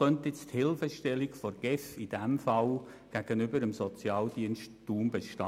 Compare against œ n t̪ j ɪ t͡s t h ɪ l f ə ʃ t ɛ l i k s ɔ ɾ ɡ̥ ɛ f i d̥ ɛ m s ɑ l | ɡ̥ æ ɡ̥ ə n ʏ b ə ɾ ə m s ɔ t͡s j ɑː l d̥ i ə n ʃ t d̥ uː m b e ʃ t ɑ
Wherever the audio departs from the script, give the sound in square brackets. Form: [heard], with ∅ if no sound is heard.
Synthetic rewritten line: œ n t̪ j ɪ t͡s t h ɪ l f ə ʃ t ɛ l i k [f] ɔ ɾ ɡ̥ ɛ f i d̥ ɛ m [f] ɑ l | ɡ̥ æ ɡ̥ ə n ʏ b ə ɾ ə m s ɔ t͡s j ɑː l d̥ i ə n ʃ t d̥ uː m b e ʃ t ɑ